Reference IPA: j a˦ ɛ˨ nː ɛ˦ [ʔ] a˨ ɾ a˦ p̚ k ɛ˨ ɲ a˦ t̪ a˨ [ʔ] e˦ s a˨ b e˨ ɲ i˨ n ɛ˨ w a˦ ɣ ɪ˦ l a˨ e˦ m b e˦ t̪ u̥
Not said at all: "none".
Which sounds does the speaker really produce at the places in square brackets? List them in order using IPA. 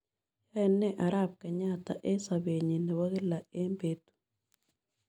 ʔ, ʔ

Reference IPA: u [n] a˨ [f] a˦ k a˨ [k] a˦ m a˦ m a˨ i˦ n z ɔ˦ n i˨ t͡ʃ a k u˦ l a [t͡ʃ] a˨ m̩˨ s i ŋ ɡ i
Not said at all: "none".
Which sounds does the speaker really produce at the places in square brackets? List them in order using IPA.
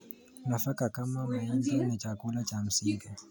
n, f, k, t͡ʃ

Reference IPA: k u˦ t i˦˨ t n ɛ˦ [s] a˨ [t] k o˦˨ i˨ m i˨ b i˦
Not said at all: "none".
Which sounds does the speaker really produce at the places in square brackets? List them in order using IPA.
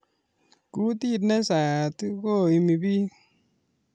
s, t

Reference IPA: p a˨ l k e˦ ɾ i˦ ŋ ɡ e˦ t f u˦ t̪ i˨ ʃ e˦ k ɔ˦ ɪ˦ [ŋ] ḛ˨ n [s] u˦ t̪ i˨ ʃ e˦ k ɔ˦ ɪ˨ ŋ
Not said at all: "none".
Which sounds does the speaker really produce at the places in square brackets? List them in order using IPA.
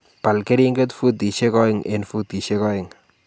ŋ, f

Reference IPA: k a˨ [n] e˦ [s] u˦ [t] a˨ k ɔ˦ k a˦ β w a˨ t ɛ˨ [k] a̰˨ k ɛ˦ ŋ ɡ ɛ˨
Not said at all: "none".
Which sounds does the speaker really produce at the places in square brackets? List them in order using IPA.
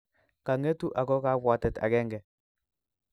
ŋ, t, ʔ, t

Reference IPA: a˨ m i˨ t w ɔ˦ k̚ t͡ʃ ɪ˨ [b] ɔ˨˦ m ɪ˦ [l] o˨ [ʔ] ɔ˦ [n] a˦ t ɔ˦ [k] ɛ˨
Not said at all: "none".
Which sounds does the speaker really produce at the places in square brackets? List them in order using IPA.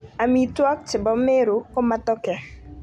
b, ɾ, k, m, k

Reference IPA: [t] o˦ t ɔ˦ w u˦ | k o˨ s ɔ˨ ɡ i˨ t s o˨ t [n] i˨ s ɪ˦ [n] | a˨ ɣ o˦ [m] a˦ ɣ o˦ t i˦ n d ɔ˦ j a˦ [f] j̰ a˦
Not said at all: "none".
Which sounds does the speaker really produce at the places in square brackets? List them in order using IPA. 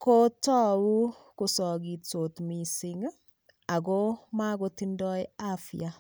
k, m, ŋ, m, f

